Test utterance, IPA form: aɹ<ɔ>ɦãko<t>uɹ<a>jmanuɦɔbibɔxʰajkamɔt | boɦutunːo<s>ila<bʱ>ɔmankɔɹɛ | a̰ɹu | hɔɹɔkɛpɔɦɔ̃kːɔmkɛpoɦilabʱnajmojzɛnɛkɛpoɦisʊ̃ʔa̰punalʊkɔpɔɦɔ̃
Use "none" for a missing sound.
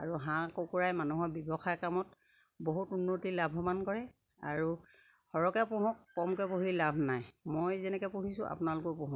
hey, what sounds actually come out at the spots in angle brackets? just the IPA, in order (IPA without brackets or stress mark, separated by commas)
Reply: u, k, a, t, bʱ